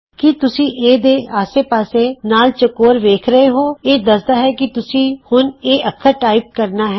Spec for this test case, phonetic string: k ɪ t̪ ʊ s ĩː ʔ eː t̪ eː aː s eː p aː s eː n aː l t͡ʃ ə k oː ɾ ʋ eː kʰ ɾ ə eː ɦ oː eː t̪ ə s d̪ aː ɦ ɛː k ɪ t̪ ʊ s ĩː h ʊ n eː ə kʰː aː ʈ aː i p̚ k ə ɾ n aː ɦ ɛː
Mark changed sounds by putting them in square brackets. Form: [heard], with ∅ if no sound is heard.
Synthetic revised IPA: k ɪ t̪ ʊ s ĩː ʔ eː [d̪] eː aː s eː p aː s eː n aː l t͡ʃ ə k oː ɾ ʋ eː kʰ ɾ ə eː ɦ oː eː [d̪] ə s d̪ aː ɦ ɛː k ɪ t̪ ʊ s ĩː h ʊ n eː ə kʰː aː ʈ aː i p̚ k ə ɾ n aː ɦ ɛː